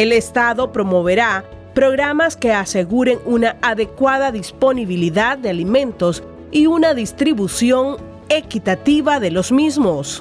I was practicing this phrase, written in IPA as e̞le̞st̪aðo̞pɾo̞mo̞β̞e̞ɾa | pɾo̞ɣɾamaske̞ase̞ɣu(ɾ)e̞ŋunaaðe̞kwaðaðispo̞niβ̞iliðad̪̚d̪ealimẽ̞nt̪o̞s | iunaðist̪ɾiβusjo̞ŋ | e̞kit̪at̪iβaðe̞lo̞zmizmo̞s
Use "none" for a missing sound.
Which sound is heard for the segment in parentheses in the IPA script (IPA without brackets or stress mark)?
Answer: ɾ